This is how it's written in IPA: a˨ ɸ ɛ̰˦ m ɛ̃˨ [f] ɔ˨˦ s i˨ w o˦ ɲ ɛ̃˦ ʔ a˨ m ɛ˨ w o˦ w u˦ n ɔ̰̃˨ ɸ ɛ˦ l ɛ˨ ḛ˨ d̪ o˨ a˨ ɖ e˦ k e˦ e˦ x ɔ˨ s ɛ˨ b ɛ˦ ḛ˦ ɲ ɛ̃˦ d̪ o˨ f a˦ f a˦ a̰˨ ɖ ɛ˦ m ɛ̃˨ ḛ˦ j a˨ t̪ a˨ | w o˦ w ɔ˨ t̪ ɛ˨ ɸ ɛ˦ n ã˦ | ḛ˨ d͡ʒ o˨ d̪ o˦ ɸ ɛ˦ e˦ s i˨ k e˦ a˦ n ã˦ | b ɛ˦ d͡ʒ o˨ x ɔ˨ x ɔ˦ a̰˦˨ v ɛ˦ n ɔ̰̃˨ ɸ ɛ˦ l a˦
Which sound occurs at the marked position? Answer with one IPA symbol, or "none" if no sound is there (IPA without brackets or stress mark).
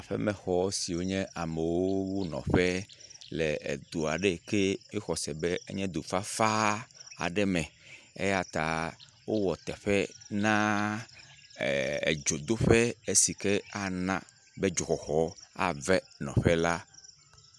x